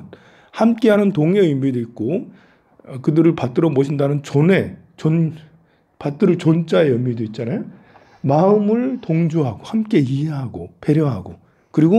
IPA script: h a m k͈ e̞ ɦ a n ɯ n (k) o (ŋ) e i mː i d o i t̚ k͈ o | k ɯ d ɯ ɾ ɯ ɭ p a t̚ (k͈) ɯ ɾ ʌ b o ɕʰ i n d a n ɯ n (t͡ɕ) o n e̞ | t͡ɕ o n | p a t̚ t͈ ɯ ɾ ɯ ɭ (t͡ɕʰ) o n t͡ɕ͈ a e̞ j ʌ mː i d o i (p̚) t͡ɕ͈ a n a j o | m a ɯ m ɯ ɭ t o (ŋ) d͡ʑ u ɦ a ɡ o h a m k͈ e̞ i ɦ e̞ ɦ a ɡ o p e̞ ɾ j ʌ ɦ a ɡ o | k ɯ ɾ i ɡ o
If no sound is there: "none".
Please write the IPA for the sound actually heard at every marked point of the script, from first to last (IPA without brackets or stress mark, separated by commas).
t, ŋ, t͈, t͡ɕ, t͡ɕ, t̚, ŋ